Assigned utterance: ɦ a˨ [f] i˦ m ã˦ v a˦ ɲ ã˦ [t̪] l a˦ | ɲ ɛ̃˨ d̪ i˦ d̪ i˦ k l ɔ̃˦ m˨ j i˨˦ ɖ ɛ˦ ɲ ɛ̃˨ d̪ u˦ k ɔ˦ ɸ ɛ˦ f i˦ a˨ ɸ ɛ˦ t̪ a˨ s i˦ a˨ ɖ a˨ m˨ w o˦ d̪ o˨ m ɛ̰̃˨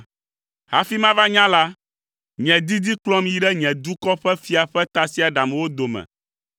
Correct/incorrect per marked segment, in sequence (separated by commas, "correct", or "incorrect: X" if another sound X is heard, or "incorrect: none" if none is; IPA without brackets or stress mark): correct, incorrect: none